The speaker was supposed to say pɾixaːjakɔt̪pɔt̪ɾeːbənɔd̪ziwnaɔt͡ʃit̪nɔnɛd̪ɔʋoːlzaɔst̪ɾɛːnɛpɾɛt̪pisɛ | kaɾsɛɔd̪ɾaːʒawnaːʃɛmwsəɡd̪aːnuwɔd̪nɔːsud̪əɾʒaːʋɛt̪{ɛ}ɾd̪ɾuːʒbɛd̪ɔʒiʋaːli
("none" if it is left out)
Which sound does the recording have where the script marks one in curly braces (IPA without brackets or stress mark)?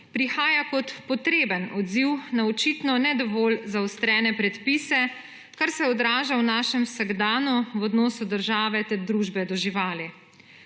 ɛ